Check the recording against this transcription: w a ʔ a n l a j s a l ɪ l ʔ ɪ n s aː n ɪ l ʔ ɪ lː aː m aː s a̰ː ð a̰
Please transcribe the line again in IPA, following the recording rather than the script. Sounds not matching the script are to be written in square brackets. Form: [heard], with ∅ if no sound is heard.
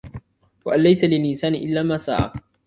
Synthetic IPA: w a ʔ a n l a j s a l ɪ l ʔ ɪ n s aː n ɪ [∅] ʔ ɪ lː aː m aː s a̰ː [ʕ] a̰